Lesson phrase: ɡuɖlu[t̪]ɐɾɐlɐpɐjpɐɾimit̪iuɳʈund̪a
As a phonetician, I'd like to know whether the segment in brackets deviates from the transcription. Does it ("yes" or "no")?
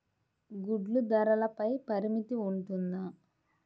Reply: yes